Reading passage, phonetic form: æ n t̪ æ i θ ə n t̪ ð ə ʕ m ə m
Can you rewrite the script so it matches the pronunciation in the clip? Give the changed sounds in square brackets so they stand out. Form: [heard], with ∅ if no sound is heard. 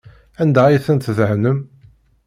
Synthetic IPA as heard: æ n [d̪] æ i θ ə n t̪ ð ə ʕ [n] ə m